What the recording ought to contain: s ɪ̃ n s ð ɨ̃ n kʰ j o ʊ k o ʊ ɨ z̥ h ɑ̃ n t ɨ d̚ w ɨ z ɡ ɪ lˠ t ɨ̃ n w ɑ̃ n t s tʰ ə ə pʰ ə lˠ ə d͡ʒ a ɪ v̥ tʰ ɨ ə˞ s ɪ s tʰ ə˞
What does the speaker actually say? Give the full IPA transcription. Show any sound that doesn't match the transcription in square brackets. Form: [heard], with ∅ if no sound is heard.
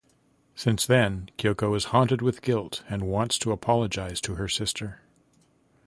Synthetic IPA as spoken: s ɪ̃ n s ð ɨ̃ n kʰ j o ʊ k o ʊ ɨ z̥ h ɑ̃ n t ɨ d̚ w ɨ [ð] ɡ ɪ lˠ t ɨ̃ n w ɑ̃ n t s tʰ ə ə pʰ [ɑ] lˠ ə d͡ʒ a ɪ [z̥] tʰ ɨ ə˞ s ɪ s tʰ ə˞

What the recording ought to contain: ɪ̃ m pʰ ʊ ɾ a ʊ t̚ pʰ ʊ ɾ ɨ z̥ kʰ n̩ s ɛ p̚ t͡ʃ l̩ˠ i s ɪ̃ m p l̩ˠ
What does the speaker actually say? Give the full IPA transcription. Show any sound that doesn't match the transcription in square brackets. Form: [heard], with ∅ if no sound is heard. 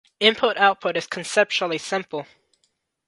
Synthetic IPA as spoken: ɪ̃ m pʰ ʊ ɾ a ʊ t̚ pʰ ʊ ɾ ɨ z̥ kʰ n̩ s ɛ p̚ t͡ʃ l̩ˠ i s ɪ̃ m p l̩ˠ

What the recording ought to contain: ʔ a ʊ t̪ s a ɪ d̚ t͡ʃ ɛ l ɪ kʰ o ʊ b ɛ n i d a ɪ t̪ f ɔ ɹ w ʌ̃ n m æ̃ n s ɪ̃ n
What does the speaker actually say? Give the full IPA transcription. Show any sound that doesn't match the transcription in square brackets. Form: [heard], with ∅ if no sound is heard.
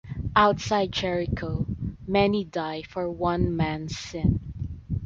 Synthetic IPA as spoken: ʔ a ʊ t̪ s a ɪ d̚ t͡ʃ ɛ [ɹ] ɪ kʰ o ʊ [m] ɛ n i d a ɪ [∅] f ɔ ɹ w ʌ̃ n m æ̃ n s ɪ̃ n

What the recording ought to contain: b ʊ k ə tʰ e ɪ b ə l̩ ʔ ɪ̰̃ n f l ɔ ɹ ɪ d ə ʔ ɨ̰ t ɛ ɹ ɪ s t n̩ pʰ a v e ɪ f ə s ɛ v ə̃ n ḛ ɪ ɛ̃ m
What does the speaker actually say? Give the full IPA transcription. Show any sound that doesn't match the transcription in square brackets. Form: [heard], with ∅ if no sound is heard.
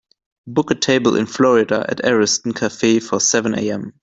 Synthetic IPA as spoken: b ʊ k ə tʰ e ɪ b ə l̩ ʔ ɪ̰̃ n f l ɔ ɹ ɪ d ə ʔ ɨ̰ t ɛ ɹ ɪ s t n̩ [kʰ] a [f] e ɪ f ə s ɛ v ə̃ n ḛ ɪ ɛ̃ m

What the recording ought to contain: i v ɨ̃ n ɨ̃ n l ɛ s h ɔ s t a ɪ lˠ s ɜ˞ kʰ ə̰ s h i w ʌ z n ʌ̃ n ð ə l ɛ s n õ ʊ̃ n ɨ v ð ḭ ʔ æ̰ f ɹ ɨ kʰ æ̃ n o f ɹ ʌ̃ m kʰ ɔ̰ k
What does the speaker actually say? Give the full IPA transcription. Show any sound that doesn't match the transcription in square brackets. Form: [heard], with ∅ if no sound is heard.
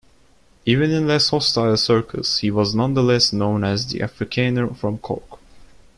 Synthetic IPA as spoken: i v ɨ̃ n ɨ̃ n l ɛ s h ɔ s t a ɪ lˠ s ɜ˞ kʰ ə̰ s h i w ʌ z n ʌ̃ n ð ə l ɛ s n õ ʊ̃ n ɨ [z] ð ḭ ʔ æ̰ f ɹ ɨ kʰ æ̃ n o f ɹ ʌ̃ m kʰ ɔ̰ k

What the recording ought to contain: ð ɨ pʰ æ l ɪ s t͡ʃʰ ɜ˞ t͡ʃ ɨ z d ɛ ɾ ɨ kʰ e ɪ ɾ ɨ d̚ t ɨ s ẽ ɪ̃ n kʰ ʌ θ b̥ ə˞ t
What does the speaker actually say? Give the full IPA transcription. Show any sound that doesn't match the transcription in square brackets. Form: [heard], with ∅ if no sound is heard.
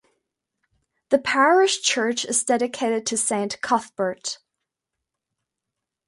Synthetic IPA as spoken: ð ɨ pʰ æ [ɹ] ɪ [ʃ] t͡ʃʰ ɜ˞ t͡ʃ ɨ z d ɛ ɾ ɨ kʰ e ɪ ɾ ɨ d̚ [tʰ] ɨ s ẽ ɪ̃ n kʰ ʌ θ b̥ ə˞ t

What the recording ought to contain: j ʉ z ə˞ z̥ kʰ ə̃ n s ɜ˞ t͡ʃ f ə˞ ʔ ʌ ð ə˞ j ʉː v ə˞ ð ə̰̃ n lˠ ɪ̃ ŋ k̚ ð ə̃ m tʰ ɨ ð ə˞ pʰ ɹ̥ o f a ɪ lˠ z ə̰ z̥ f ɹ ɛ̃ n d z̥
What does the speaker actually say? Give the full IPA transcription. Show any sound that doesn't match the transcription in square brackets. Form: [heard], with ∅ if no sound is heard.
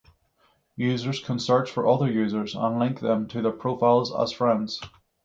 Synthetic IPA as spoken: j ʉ z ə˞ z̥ kʰ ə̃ n s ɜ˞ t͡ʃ f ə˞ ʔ ʌ ð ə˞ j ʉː [z] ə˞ [z] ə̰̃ n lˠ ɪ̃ ŋ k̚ ð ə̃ m tʰ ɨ ð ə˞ pʰ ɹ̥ o f a ɪ lˠ z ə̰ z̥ f ɹ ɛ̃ n d z̥

